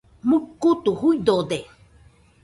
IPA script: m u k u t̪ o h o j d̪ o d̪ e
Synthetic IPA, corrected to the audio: m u k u t̪ u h u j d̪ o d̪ e